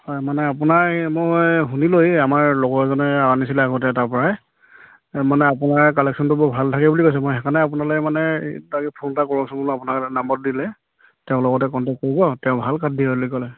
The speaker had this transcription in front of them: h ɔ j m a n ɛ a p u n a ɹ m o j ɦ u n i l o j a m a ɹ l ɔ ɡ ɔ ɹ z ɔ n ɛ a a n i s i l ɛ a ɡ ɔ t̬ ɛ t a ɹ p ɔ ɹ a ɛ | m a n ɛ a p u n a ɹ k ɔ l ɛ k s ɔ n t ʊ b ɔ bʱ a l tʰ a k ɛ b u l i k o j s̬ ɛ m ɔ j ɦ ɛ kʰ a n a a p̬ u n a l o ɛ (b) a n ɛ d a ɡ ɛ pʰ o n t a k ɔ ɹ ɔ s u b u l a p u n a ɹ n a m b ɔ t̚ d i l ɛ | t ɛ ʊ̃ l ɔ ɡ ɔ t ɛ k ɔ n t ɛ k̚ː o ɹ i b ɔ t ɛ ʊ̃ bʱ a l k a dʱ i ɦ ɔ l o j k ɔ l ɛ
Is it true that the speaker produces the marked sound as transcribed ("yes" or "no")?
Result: no